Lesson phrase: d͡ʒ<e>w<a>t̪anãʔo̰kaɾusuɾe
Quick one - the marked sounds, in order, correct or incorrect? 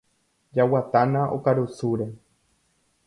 incorrect, correct

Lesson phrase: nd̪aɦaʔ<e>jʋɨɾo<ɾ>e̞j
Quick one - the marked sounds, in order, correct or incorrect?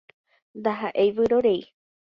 correct, correct

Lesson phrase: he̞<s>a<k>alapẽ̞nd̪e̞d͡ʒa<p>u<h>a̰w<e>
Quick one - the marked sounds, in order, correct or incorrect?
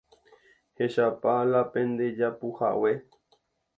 incorrect, incorrect, correct, correct, correct

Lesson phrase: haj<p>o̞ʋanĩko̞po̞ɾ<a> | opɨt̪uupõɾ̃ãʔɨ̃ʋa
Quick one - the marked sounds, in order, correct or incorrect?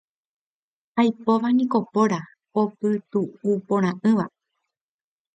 correct, correct

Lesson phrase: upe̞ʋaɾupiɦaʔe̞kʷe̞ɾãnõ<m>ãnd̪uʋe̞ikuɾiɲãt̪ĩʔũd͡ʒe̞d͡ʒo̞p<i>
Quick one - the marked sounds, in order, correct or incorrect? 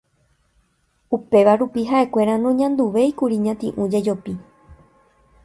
incorrect, correct

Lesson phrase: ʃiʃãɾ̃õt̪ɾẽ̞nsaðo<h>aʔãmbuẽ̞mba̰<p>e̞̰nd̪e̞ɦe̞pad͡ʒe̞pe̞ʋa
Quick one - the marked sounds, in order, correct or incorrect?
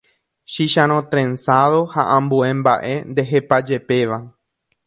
correct, incorrect

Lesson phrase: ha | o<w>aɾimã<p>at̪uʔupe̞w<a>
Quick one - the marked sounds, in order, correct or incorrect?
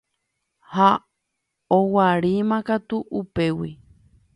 correct, incorrect, incorrect

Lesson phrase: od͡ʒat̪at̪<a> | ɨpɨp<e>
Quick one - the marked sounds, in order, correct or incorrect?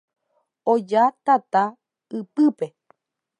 correct, correct

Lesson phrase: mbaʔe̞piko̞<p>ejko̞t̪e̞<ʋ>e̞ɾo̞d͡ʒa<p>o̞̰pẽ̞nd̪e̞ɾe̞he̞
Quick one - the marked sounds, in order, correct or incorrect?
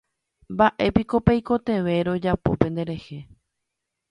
correct, correct, correct

